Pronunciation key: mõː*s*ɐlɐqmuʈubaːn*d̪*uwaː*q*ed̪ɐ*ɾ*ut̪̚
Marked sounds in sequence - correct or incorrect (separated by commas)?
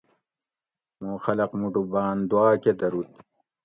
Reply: incorrect, correct, incorrect, correct